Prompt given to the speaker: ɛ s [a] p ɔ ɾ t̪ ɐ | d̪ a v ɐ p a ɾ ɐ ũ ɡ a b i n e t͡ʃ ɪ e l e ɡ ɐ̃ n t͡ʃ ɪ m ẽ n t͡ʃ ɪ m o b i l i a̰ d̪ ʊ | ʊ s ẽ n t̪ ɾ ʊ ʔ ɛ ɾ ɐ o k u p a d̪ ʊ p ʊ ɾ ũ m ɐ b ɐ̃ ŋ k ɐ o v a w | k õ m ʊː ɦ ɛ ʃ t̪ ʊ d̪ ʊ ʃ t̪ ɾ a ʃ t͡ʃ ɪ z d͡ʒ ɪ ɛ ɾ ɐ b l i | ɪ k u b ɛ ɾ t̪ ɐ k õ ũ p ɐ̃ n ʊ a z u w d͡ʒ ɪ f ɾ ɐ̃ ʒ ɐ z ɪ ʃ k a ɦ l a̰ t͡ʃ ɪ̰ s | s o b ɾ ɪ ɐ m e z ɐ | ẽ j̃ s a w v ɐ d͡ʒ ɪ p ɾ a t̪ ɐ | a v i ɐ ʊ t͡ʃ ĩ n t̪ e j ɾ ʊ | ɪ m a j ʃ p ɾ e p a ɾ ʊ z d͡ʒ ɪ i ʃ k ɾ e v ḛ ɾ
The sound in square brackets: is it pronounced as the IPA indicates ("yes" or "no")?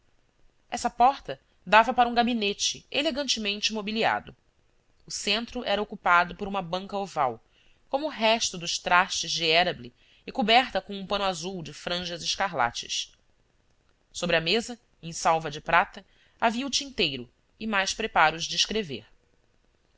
no